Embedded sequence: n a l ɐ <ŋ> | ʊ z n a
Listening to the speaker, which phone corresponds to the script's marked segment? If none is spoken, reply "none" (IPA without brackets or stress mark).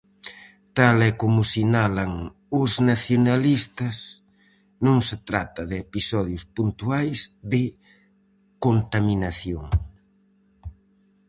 ŋ